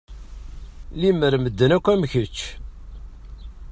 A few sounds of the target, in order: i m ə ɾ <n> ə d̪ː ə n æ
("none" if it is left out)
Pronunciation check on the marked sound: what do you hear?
m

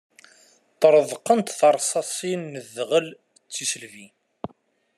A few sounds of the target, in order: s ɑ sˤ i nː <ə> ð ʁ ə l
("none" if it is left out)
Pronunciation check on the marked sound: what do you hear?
ə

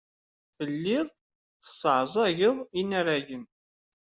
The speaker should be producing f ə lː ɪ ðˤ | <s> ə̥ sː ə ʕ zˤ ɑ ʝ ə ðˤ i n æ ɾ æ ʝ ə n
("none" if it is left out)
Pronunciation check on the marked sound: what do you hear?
θ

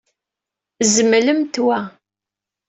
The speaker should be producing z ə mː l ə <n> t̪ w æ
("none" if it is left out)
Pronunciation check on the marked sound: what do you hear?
m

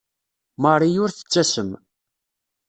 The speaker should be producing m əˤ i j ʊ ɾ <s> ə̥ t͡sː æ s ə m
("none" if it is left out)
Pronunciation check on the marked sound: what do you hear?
θ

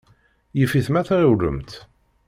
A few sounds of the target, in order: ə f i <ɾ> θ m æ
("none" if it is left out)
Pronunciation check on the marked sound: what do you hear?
none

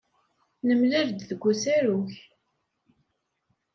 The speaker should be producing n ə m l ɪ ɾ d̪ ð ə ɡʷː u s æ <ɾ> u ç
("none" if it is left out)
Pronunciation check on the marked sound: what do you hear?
ɾ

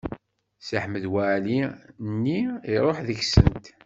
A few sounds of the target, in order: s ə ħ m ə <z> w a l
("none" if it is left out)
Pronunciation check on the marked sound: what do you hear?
ð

